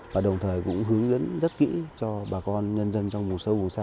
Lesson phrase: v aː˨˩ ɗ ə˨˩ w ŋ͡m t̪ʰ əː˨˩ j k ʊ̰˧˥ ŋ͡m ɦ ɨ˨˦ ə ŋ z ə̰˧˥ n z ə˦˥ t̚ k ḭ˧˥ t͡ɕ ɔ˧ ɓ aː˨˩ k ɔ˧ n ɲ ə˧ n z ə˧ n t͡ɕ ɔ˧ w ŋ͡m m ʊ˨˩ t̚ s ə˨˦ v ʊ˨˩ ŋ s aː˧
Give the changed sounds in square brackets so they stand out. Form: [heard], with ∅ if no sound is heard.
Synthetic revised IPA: v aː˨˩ ɗ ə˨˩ w ŋ͡m t̪ʰ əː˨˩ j k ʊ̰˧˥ ŋ͡m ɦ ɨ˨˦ ə ŋ z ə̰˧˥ n z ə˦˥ t̚ k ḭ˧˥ t͡ɕ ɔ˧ ɓ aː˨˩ k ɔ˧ n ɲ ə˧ n z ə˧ n t͡ɕ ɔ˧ w ŋ͡m m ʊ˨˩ t̚ s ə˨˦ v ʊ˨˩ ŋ s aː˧